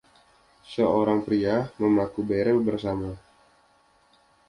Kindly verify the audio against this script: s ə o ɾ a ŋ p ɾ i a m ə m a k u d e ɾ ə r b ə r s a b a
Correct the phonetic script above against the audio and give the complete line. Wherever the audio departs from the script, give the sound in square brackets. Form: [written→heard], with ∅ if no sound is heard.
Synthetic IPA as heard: s ə o ɾ a ŋ p ɾ i a m ə m a k u [d→b] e ɾ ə [r→l] b ə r s a [b→m] a